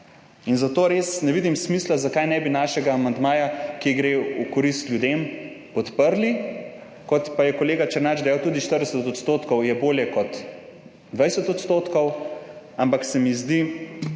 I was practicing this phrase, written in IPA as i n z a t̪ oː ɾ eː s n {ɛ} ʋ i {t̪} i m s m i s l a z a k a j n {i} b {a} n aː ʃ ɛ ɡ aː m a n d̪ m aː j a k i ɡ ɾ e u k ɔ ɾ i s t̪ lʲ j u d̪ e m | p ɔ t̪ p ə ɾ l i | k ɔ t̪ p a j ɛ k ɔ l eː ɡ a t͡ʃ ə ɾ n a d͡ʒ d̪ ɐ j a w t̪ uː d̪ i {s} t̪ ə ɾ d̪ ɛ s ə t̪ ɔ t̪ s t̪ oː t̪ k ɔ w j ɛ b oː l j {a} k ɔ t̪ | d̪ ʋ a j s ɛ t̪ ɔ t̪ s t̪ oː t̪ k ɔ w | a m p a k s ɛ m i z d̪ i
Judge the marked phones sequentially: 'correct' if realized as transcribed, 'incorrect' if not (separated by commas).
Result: correct, incorrect, incorrect, incorrect, incorrect, incorrect